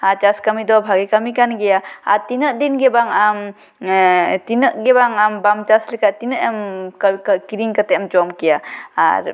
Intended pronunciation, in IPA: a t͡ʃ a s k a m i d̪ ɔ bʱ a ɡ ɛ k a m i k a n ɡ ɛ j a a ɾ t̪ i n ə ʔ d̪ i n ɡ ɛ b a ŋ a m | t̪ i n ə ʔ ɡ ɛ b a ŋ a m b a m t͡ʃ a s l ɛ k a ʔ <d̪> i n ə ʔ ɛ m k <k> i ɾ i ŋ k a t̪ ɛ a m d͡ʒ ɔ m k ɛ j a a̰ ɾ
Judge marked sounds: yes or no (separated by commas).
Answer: no, yes